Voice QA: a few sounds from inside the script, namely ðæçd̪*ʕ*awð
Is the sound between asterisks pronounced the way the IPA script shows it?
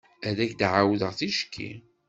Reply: yes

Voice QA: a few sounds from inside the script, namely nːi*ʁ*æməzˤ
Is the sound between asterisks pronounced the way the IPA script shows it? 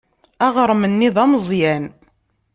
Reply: no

